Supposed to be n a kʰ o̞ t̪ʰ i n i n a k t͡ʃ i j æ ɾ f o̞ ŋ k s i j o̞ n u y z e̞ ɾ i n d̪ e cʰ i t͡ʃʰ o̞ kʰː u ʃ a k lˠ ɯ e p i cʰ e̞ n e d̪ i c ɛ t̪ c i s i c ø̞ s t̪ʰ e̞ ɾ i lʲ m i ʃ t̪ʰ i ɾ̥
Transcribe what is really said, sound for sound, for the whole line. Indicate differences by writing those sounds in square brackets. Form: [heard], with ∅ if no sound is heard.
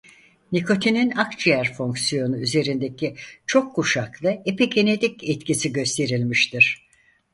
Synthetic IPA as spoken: n [i] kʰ o̞ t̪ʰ i n i n a k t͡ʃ i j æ ɾ f o̞ ŋ k s i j o̞ n u y z e̞ ɾ i n d̪ e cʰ i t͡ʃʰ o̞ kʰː u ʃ a k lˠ ɯ e p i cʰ e̞ n e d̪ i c ɛ t̪ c i s i [ɟ] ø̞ s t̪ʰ e̞ ɾ i lʲ m i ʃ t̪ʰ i ɾ̥